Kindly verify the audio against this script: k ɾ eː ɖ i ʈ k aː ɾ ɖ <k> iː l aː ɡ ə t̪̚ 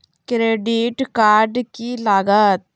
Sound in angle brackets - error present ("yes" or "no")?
no